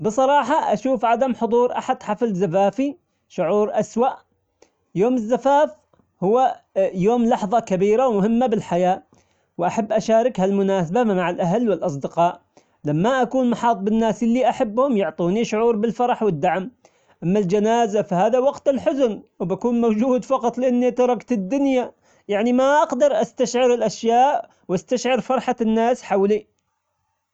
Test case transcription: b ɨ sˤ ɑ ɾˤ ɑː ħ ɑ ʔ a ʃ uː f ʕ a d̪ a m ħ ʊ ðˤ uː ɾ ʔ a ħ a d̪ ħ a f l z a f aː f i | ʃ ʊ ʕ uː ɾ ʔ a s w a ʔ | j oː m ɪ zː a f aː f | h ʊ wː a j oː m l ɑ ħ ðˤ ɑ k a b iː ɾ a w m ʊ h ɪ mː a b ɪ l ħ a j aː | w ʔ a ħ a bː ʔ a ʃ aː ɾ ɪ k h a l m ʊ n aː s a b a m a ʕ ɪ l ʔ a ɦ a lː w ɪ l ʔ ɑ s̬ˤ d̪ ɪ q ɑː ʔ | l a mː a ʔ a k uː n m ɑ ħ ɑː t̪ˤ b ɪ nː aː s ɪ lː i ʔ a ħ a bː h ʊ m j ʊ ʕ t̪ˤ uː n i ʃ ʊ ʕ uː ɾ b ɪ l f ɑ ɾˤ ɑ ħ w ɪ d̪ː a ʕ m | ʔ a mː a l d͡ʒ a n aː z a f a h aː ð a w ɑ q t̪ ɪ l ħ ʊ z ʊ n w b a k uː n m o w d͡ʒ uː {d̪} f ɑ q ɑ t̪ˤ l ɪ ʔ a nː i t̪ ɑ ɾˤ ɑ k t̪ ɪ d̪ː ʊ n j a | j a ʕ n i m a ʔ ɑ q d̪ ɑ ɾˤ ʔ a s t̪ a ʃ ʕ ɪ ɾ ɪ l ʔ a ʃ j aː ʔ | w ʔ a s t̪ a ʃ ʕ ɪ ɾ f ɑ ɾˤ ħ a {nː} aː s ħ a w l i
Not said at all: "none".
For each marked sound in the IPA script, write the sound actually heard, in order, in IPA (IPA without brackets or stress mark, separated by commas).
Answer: d̪, nː